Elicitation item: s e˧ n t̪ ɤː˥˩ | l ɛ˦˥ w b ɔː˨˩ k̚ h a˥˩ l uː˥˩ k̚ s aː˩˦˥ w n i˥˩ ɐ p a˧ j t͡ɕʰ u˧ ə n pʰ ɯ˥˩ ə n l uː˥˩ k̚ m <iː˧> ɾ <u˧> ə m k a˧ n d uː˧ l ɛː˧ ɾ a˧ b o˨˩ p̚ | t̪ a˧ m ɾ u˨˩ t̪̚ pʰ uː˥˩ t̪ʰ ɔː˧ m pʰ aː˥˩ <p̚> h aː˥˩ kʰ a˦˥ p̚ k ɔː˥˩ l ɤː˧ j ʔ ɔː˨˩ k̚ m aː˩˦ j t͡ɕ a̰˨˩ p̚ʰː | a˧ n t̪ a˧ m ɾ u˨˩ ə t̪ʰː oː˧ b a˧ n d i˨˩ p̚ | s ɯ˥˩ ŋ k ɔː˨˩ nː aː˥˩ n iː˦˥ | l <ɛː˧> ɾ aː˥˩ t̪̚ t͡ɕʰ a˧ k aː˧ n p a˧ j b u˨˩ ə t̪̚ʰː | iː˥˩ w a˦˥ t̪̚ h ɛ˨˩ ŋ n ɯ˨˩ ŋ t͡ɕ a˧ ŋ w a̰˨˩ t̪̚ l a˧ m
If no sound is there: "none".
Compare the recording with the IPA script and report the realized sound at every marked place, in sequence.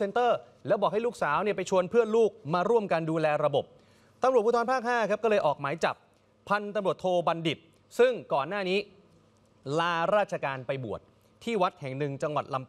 aː˧, u˥˩, k̚, aː˧

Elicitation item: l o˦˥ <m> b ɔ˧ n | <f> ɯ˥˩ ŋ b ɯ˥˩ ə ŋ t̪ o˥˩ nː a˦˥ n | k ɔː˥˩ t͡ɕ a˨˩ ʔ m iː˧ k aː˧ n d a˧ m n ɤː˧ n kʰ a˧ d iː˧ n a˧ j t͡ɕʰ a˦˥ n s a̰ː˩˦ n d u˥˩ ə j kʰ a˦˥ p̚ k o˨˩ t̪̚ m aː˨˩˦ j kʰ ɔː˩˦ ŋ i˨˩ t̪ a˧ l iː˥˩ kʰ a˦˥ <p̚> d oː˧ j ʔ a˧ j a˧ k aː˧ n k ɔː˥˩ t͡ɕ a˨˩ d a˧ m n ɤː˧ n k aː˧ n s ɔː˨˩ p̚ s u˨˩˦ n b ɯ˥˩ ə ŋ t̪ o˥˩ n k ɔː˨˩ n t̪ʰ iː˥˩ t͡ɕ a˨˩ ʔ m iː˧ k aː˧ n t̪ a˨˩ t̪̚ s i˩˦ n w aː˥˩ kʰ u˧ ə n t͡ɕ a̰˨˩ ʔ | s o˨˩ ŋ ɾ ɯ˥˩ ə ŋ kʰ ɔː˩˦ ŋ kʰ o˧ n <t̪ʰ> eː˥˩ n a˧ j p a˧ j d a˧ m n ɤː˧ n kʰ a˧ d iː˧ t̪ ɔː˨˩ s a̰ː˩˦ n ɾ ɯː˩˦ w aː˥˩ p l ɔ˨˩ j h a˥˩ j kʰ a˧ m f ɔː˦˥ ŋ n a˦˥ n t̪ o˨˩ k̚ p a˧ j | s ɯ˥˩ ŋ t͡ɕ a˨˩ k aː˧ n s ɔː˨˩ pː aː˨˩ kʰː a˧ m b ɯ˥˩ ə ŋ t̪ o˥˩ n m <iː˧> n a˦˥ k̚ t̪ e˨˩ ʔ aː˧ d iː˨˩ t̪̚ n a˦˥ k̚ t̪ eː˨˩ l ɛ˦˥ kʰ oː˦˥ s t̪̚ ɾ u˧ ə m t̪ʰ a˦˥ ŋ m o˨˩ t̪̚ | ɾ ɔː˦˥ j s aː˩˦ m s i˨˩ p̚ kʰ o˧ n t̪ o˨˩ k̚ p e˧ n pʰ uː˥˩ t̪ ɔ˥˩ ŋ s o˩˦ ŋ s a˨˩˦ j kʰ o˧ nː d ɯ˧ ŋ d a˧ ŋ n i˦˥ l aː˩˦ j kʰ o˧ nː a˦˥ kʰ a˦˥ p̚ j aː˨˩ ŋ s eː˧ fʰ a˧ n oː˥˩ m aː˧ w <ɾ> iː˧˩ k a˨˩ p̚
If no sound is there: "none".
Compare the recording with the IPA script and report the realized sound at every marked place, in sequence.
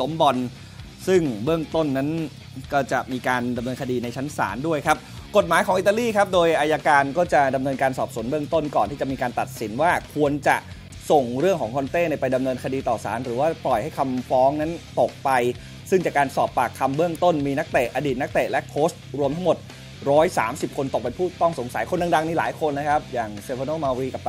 m, s, p̚, t̪, iː˧, ɾ

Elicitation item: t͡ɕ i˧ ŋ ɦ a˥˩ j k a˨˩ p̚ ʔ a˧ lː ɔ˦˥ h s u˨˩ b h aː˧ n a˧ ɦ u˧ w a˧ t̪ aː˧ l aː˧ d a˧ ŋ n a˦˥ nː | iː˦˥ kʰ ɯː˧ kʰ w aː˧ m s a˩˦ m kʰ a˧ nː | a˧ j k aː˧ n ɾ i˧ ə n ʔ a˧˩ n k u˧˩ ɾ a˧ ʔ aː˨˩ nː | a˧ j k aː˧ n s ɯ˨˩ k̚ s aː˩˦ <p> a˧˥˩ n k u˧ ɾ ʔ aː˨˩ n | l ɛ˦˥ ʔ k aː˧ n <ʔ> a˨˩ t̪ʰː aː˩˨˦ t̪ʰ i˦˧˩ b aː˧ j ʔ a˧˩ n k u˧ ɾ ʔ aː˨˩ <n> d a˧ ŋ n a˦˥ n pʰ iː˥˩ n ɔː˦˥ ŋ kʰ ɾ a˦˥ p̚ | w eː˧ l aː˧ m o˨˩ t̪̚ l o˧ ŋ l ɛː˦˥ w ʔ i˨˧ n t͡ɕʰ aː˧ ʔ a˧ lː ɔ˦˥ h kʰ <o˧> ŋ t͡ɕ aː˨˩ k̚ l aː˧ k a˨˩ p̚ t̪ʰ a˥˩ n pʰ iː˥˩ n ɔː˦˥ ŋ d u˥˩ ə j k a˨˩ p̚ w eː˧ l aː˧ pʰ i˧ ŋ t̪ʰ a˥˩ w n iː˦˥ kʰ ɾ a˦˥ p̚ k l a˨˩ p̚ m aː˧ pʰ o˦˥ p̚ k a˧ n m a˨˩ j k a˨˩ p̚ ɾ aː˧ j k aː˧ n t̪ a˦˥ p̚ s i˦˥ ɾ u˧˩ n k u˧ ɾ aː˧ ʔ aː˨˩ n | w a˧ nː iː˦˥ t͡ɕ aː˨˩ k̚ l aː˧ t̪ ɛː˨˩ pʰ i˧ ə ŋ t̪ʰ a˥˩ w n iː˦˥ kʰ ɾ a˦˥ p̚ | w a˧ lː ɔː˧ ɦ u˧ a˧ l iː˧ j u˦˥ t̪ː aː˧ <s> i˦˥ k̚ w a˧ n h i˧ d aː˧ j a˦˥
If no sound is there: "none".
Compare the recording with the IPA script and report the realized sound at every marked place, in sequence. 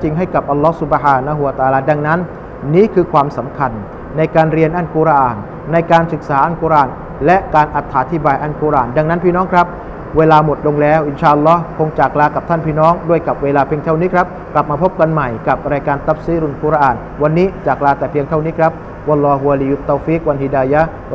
ʔ, ʔ, n, o˧, f

